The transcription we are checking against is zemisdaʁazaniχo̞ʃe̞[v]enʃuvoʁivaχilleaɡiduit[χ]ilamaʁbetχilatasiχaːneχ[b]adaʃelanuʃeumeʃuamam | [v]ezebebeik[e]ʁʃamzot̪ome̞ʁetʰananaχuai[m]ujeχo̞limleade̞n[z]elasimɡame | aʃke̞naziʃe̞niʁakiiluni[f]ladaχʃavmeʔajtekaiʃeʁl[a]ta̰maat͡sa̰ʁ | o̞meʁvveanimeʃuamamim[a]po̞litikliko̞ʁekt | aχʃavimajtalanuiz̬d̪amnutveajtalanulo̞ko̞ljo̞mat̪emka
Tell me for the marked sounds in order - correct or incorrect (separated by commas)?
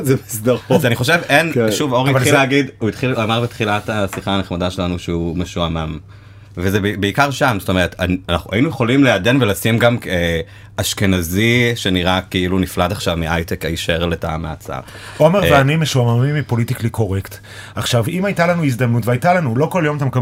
correct, correct, incorrect, correct, incorrect, incorrect, incorrect, correct, incorrect, incorrect